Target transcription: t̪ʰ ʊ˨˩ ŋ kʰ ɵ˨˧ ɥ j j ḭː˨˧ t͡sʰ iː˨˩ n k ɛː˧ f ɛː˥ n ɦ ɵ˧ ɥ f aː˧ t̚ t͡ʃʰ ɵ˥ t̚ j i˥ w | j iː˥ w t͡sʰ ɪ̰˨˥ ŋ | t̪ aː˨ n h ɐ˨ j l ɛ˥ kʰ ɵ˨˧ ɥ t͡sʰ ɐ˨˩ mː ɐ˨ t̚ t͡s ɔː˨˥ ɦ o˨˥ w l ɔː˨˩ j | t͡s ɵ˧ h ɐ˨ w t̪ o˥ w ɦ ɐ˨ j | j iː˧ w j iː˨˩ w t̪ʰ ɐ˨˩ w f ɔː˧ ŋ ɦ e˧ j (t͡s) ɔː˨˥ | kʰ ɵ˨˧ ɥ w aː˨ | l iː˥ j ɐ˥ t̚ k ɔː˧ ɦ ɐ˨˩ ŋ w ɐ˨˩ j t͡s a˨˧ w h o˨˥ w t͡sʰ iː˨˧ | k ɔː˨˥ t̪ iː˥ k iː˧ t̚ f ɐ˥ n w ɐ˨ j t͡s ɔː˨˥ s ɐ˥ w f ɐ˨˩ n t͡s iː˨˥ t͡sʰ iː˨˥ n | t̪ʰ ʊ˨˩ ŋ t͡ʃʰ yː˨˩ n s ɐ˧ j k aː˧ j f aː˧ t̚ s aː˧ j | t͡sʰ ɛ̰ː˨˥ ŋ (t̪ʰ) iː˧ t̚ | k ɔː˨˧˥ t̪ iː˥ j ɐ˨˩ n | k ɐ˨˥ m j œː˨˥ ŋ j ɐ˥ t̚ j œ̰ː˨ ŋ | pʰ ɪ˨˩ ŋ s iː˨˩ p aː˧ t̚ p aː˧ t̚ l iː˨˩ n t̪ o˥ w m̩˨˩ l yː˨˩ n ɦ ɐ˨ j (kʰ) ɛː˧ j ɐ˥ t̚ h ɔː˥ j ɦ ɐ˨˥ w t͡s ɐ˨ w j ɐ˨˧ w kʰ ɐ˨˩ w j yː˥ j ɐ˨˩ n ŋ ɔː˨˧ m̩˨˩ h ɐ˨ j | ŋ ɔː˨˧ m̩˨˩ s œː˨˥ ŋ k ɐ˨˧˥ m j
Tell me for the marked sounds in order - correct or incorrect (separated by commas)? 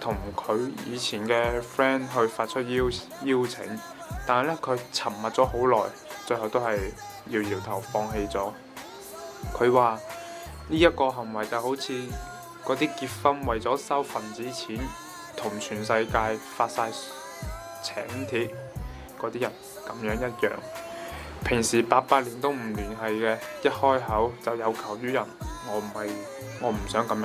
correct, correct, incorrect